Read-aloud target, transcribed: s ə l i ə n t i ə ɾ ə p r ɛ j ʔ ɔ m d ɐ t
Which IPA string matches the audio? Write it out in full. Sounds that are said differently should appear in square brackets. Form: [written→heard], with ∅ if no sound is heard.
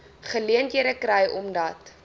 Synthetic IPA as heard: [s→χ] ə l i ə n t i ə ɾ ə [p→k] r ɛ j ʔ ɔ m d ɐ t